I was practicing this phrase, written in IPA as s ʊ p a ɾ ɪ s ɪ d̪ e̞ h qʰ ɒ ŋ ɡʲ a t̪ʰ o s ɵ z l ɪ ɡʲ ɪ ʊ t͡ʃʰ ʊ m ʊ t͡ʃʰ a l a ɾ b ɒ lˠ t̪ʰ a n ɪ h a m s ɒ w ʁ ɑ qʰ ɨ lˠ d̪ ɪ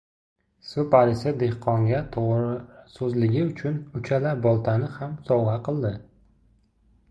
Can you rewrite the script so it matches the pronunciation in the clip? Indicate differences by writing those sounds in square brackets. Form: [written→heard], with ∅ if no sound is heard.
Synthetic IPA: s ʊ p a ɾ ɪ s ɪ d̪ e̞ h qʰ ɒ ŋ ɡʲ a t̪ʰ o s ɵ z l ɪ ɡʲ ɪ ʊ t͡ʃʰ ʊ [m→n] ʊ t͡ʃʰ a l a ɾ b ɒ lˠ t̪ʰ a n ɪ h a m s ɒ w ʁ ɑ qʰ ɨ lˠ d̪ ɪ